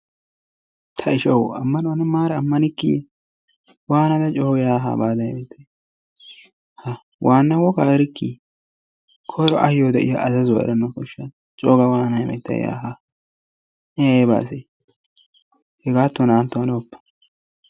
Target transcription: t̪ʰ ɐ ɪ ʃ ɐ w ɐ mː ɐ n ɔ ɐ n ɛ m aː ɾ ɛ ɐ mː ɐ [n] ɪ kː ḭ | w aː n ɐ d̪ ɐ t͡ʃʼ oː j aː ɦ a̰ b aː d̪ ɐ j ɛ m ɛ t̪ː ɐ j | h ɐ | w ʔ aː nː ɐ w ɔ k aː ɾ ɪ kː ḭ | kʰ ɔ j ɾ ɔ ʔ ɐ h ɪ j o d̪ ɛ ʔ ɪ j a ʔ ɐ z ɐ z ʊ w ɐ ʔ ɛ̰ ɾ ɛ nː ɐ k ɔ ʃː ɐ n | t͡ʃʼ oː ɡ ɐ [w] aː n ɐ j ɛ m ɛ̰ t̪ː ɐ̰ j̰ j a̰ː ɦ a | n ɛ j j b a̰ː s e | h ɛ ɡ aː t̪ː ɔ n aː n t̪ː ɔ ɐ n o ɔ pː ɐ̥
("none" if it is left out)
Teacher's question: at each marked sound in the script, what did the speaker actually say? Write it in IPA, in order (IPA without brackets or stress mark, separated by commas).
n, w